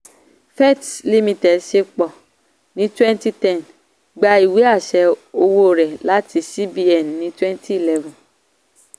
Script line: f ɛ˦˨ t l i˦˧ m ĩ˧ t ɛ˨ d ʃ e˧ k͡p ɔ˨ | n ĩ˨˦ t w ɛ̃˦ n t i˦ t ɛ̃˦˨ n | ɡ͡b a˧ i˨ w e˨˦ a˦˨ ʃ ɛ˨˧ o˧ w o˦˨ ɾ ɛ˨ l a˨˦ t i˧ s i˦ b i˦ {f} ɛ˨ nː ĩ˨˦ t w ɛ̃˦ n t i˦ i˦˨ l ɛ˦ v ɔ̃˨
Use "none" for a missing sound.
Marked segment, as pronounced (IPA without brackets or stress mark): none